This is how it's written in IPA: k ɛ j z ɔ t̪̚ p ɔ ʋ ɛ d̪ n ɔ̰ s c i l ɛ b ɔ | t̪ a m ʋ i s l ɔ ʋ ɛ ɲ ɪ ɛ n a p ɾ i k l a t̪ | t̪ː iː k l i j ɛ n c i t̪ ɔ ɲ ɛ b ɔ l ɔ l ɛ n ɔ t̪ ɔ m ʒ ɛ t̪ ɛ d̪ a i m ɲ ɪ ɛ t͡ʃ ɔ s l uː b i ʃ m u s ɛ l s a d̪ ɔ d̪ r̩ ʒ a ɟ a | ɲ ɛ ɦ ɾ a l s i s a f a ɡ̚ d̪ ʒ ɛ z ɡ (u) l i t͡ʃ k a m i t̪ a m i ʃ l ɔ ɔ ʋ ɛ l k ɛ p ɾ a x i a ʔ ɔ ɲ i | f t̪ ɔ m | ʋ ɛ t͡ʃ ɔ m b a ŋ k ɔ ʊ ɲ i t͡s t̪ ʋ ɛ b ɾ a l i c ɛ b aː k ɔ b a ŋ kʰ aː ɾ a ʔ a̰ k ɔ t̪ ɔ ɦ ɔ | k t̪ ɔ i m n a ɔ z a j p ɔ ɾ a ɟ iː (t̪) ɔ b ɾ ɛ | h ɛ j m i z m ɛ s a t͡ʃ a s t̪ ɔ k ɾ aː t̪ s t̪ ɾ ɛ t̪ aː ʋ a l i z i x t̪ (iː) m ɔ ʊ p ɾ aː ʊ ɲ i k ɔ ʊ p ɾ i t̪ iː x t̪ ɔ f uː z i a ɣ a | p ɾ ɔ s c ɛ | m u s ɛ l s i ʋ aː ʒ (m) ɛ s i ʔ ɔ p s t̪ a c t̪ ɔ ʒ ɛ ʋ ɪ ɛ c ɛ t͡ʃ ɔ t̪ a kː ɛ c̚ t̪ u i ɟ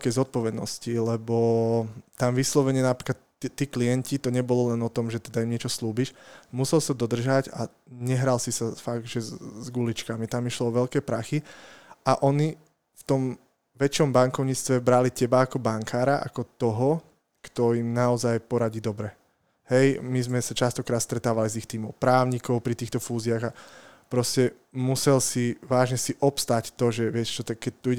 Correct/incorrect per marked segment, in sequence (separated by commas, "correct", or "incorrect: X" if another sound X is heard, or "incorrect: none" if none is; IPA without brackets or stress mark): correct, incorrect: d̪, correct, incorrect: ɲ